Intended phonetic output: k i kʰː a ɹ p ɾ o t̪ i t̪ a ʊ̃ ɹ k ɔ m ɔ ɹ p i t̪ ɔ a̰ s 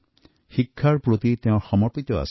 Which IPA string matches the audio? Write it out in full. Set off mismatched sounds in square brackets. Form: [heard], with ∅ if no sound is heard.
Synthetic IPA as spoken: [x] i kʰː a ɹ p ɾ o t̪ i t̪ [e] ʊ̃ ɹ [x] ɔ m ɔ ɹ p i t̪ ɔ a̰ s